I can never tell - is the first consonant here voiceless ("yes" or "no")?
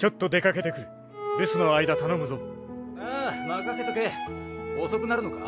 yes